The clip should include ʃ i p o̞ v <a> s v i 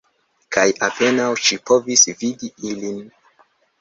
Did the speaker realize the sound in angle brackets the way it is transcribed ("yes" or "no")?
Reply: no